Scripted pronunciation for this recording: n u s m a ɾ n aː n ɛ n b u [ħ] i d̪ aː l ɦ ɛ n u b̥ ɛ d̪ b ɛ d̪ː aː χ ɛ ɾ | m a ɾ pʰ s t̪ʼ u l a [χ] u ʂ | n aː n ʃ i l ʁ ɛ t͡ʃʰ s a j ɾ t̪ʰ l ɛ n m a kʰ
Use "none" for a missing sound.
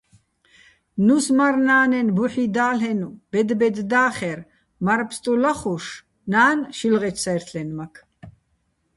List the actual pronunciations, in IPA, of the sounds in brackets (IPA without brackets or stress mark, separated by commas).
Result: ħ, χ